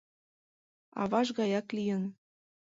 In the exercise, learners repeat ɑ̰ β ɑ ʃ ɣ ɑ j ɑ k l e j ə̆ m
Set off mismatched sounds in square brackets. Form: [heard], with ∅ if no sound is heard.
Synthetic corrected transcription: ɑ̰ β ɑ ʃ ɣ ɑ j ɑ k l [i] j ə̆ [n]